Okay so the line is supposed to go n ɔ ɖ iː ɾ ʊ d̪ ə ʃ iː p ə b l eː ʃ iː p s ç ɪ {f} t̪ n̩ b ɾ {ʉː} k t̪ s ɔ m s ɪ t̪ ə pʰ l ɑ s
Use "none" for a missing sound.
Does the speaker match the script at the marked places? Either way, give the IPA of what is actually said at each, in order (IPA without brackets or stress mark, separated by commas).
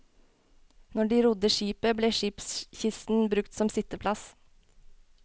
s, ʉ